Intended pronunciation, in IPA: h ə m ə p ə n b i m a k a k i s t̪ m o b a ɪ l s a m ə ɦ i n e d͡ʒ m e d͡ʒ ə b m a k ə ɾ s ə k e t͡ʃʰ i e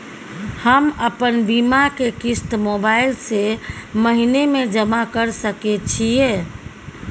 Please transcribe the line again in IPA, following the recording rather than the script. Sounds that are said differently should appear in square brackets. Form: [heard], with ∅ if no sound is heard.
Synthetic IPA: h ə m ə p ə n b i m a k [e] k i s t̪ m o b a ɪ l s [e] m ə ɦ i n e [∅] m e d͡ʒ ə [∅] m a k ə ɾ s ə k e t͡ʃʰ i e